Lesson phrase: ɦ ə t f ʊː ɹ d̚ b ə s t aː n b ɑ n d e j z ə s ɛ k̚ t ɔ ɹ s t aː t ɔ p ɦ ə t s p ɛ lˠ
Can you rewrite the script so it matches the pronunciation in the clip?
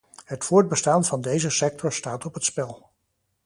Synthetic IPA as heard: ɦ ə t f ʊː ɹ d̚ b ə s t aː n v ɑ n d e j z ə s ɛ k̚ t ɔ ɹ s t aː t ɔ p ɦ ə t s p ɛ lˠ